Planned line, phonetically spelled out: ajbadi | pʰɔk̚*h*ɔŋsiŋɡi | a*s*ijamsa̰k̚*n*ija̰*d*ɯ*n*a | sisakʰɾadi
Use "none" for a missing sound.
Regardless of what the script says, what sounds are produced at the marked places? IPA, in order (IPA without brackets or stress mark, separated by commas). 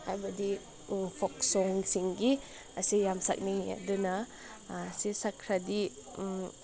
s, s, n, d, n